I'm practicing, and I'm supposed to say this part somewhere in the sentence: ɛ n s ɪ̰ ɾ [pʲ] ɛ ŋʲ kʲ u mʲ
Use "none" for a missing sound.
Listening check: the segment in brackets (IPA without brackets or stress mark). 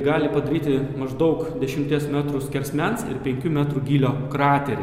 pʲ